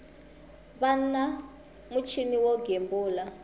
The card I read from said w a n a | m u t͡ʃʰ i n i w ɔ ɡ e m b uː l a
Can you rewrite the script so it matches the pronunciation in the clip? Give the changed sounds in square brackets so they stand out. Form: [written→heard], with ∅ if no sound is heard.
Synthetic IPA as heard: [w→β] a n a | m u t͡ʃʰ i n i w ɔ ɡ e m b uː l a